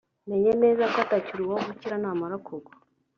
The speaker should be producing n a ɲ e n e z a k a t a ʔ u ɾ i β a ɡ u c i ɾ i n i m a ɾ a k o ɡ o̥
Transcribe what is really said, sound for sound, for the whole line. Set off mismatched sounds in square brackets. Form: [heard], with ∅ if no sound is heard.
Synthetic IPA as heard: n [e] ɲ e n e z a k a t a [c] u ɾ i [w] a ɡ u c i ɾ [a] n [a] m a ɾ a k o ɡ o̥